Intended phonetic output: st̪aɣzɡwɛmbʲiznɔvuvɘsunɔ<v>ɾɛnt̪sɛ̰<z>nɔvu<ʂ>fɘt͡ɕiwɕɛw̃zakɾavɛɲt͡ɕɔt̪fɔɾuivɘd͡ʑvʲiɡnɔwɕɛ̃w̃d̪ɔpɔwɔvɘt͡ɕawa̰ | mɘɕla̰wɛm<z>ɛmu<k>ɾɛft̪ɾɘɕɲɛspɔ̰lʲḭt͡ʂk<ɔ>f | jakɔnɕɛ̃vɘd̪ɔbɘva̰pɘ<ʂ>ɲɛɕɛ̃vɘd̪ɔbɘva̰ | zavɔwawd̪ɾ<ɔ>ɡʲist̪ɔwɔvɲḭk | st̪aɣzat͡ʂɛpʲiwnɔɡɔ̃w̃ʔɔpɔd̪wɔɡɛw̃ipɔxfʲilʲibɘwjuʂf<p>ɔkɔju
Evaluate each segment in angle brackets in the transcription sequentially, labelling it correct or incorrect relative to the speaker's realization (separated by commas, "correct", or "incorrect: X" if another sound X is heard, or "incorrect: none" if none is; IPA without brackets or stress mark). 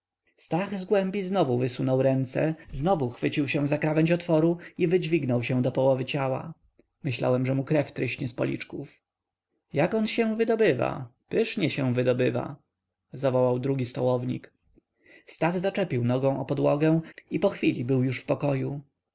incorrect: w, correct, incorrect: x, incorrect: ʐ, correct, incorrect: u, correct, incorrect: u, correct